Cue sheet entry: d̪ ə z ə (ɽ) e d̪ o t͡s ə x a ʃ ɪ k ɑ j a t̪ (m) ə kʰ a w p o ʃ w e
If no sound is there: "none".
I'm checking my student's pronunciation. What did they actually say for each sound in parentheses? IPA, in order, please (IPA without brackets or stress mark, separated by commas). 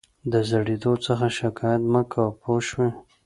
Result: ɽ, m